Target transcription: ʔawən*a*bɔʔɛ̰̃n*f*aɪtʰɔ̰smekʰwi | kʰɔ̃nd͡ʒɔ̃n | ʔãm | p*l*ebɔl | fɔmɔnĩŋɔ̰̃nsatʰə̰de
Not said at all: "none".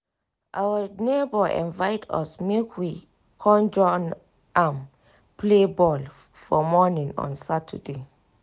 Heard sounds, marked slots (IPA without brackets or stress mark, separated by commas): e, v, l